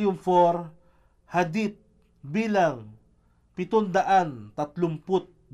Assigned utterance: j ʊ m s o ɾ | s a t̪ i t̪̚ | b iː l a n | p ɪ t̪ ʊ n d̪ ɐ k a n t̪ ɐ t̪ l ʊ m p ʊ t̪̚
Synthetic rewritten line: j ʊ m f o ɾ | h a d̪ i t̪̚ | b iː l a ŋ | p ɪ t̪ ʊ n d̪ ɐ ʔ a n t̪ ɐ t̪ l ʊ m p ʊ t̪̚